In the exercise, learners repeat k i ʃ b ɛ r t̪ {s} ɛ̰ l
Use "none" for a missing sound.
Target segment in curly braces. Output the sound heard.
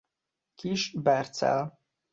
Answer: s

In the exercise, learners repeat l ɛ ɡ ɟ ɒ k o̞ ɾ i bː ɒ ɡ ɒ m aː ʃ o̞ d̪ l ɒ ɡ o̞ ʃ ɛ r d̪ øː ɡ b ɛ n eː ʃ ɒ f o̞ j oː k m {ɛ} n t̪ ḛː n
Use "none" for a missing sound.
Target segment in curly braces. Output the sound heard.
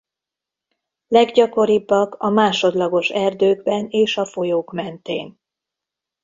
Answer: ɛ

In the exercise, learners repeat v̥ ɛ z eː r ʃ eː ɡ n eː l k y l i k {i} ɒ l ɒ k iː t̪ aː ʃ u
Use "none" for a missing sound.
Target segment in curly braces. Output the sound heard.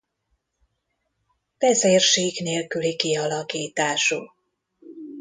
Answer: i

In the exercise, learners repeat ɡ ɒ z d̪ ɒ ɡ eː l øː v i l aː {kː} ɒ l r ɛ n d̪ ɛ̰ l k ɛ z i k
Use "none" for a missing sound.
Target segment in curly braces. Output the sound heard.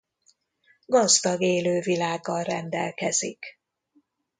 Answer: ɡː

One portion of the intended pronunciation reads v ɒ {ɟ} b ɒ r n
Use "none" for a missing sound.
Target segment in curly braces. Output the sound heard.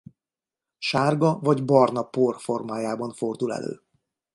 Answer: ɟ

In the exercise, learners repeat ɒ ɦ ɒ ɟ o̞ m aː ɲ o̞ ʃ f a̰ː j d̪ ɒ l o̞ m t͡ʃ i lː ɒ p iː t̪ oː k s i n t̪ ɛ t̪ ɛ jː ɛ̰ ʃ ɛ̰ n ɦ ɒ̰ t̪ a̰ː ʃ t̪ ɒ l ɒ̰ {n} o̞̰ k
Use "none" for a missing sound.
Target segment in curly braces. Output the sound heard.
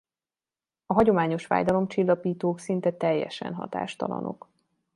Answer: n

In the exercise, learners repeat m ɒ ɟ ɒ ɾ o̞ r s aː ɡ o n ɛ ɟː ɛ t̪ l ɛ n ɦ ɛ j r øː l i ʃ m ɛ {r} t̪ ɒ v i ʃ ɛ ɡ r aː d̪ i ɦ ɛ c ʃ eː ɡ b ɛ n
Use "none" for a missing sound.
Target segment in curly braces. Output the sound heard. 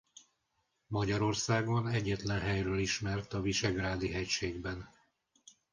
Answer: r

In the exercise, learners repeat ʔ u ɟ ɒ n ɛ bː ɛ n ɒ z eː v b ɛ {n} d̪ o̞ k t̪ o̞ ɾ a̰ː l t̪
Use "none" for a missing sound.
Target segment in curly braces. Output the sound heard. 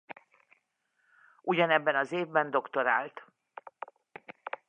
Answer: n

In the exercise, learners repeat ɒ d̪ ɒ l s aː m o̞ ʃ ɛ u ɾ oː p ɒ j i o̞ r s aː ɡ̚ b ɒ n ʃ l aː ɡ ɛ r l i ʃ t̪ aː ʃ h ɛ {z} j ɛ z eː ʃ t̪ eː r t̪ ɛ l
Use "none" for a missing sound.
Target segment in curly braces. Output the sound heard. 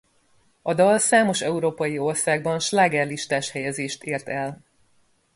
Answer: none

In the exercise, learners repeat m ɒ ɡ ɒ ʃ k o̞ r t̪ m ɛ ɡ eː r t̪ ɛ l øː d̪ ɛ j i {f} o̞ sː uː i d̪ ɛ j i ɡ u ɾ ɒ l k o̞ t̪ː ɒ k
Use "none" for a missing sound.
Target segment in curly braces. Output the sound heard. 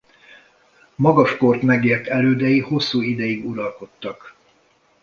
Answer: h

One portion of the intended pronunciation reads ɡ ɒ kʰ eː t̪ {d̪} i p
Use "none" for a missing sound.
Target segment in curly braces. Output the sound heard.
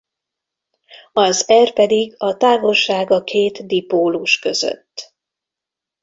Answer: d̪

